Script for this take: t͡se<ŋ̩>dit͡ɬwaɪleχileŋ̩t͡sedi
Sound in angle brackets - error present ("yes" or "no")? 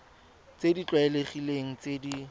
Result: yes